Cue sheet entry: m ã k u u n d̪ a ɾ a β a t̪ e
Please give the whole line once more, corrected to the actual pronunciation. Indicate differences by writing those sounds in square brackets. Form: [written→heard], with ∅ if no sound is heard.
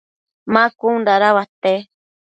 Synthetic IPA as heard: m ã k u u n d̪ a ɾ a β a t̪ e